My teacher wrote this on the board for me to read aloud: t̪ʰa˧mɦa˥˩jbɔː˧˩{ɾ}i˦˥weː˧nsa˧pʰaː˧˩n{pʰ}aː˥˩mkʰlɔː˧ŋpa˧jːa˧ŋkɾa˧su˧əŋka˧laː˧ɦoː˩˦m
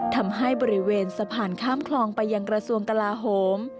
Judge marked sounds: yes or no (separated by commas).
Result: yes, no